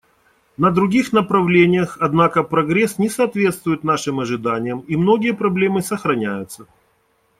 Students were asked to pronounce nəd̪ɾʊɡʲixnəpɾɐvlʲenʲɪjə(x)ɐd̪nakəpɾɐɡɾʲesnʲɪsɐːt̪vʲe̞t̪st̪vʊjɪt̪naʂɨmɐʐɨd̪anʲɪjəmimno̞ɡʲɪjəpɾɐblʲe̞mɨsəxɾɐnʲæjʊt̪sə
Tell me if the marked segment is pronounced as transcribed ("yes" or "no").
yes